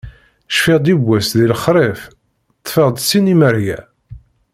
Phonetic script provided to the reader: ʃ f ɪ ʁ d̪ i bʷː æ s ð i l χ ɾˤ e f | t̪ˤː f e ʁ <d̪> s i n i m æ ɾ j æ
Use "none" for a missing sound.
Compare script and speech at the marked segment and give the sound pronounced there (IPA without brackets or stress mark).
d̪